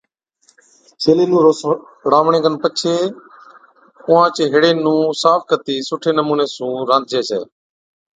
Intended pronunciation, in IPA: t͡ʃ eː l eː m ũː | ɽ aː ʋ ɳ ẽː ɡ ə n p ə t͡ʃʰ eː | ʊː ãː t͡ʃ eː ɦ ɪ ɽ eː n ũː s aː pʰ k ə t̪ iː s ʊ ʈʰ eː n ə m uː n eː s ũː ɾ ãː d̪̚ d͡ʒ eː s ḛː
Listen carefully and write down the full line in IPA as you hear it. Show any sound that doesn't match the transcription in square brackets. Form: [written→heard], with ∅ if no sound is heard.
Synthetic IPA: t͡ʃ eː l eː [m→n] ũː | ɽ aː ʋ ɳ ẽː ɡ ə n p ə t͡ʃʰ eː | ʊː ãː t͡ʃ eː ɦ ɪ ɽ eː n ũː s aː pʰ k ə t̪ iː s ʊ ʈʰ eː n ə m uː n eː s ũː ɾ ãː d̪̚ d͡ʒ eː s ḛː

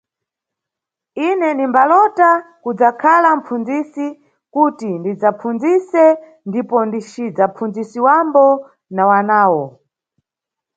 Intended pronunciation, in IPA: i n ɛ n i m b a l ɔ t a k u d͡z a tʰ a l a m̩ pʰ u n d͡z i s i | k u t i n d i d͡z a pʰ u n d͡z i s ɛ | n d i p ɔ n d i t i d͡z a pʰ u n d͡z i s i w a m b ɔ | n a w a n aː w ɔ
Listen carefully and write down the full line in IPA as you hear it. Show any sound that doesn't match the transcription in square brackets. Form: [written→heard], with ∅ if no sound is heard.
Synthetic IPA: i n ɛ n i m b a l ɔ t a k u d͡z a [tʰ→kʰ] a l a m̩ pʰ u n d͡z i s i | k u t i n d i d͡z a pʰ u n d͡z i s ɛ | n d i p ɔ n d i [t→t͡ʃ] i d͡z a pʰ u n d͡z i s i w a m b ɔ | n a w a n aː w ɔ

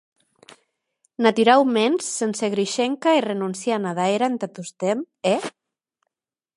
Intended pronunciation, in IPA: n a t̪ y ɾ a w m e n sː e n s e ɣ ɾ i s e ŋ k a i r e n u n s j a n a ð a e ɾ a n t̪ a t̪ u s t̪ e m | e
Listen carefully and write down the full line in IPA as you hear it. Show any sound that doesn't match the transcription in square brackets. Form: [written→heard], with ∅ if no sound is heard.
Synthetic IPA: n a t̪ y ɾ a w m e n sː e n s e ɣ ɾ i [s→ʃ] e ŋ k a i r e n u n s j a n a ð a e ɾ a n t̪ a t̪ u s t̪ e m | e

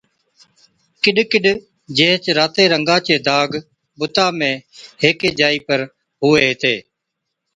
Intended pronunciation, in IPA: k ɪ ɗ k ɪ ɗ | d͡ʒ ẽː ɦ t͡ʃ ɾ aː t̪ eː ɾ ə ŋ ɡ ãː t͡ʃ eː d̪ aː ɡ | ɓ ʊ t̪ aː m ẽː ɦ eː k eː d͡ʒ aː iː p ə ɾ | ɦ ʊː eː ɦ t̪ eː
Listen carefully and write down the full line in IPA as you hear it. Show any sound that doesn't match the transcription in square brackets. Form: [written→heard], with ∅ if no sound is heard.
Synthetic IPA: k ɪ ɗ k ɪ ɗ | d͡ʒ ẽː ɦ t͡ʃ ɾ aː t̪ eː ɾ ə ŋ ɡ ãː t͡ʃ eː d̪ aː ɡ | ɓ ʊ t̪ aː m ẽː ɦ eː k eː d͡ʒ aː iː p ə ɾ | ɦ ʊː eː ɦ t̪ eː

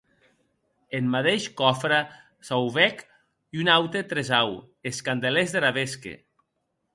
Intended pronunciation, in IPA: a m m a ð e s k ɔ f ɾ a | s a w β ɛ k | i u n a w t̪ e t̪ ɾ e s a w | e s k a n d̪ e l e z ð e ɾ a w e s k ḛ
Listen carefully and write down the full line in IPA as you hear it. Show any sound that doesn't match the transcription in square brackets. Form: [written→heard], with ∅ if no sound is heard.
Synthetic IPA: [a→e] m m a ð e [s→ʃ] k ɔ f ɾ a | s a w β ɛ k | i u n a w t̪ e t̪ ɾ e [s→z] a w | e s k a n d̪ e l e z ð e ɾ a [w→β] e s k ḛ

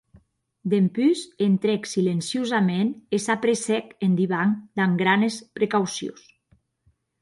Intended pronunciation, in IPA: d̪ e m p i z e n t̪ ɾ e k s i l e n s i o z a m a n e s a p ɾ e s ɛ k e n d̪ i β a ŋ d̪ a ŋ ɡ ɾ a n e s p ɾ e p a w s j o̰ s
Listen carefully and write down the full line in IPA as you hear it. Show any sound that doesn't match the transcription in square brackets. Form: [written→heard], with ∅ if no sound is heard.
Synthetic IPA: d̪ e m p [i→y] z e n t̪ ɾ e k s i l e n s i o z a m [a→e] n e s a p ɾ e s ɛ k e n d̪ i β a ŋ d̪ a ŋ ɡ ɾ a n e s p ɾ e [p→k] a w s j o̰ s

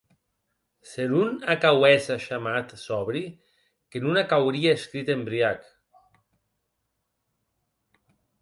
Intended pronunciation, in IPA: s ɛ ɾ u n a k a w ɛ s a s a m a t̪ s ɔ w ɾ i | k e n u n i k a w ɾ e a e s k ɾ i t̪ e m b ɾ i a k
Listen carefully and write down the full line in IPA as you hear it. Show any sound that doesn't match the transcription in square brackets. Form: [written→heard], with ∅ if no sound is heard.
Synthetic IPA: s [ɛ→e] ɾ u n a k a w ɛ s a [s→ʃ] a m a t̪ s ɔ [w→β] ɾ i | k e n u n [i→a] k a w ɾ [e→i] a e s k ɾ i t̪ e m b ɾ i a k

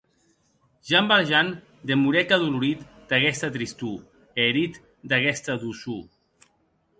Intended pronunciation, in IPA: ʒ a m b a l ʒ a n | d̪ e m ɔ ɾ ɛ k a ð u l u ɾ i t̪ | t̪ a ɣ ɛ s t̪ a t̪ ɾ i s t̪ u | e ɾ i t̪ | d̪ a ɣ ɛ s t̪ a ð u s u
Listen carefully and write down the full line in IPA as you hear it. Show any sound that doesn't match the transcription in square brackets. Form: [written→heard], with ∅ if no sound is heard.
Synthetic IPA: ʒ a m b a l ʒ a n | d̪ e m [ɔ→u] ɾ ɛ k a ð u l u ɾ i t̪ | [t̪→d̪] a ɣ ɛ s t̪ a t̪ ɾ i s t̪ u | e ɾ i t̪ | d̪ a ɣ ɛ s t̪ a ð u s u

